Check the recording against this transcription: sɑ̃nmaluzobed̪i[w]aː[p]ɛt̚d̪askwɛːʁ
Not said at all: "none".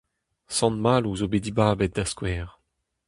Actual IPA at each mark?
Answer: b, b

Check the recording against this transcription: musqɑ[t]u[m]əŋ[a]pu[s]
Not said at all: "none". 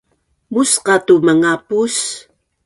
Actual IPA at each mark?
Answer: t, m, a, s

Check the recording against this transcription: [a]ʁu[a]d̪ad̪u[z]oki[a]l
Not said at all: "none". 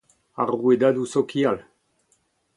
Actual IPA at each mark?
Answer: a, e, s, a

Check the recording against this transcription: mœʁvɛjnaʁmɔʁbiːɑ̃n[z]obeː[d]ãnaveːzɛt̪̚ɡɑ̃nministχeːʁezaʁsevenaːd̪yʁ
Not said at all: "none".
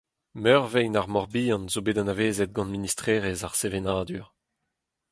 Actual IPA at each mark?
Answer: z, d

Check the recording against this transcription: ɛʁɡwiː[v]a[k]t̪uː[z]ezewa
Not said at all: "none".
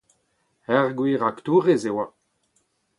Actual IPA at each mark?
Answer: ʁ, k, ʁ

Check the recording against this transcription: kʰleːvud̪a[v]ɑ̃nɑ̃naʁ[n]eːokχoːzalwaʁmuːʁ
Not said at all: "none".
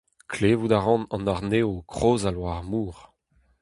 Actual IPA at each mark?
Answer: ʁ, n

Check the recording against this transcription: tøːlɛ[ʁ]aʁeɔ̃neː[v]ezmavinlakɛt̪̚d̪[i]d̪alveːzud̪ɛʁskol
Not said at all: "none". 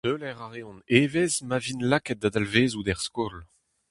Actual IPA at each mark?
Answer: ʁ, v, a

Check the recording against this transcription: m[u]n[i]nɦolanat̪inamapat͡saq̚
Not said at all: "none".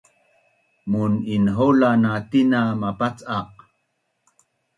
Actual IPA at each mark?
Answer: u, i

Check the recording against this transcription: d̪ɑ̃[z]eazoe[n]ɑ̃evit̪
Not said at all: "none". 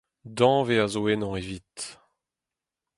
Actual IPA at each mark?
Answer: v, n

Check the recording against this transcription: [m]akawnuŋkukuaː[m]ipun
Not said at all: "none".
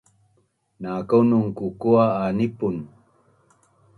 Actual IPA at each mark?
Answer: n, n

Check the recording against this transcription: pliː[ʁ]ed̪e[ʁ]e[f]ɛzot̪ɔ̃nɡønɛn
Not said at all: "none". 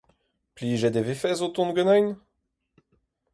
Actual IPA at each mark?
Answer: ʒ, v, f

